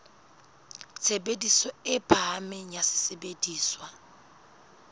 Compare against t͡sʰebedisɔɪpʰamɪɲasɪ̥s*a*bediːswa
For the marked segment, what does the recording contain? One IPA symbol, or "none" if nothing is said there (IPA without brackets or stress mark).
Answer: e